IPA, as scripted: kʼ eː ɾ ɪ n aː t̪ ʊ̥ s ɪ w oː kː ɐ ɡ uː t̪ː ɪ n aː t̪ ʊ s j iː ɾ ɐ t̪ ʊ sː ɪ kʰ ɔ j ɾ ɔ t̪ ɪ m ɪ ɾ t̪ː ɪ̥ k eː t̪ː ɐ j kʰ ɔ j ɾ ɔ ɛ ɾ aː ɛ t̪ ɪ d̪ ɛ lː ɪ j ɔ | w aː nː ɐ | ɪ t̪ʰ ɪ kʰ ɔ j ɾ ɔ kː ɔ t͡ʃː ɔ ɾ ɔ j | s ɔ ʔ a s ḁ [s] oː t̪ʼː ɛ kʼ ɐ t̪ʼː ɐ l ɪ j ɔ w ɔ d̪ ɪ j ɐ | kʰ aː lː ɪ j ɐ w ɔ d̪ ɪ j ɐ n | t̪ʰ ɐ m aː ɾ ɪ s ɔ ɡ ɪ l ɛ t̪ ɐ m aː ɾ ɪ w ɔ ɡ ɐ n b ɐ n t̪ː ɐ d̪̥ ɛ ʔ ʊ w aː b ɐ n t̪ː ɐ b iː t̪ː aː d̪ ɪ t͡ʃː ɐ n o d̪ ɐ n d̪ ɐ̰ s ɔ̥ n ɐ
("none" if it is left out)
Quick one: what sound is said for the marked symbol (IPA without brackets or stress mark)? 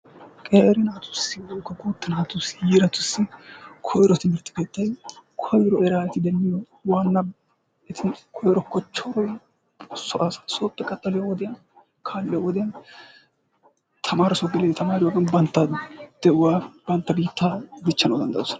s